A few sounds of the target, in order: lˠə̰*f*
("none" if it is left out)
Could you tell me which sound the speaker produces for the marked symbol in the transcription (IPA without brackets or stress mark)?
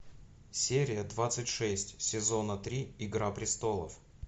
f